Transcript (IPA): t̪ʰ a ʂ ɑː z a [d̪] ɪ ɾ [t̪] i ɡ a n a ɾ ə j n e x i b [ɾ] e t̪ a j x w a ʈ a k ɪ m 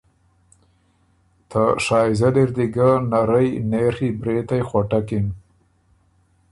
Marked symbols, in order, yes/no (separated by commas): yes, no, yes